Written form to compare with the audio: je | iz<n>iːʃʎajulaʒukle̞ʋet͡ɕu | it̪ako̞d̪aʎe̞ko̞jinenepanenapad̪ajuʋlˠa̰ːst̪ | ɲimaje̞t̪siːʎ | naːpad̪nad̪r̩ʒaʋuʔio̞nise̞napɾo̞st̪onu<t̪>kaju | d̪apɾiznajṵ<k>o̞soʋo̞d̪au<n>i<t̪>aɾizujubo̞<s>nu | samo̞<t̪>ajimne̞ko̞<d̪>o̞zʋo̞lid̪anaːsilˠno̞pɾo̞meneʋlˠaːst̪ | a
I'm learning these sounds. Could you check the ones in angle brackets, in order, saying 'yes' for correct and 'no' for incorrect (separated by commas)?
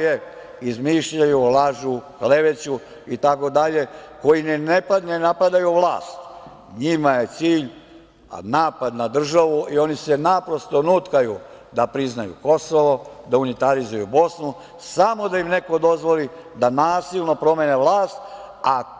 no, yes, yes, yes, yes, yes, no, yes